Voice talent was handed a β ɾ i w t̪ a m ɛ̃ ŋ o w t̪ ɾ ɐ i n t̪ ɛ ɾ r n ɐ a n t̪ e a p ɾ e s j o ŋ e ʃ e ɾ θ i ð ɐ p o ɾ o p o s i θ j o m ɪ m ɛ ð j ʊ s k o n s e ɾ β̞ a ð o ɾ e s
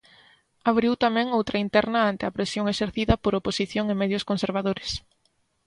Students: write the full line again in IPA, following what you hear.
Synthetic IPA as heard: a β ɾ i w t̪ a m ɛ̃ ŋ o w t̪ ɾ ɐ i n t̪ ɛ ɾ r n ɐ a n t̪ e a p ɾ e s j o ŋ e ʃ e ɾ θ i ð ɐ p o ɾ o p o s i θ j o ŋ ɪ m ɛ ð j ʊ s k o n s e ɾ β̞ a ð o ɾ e s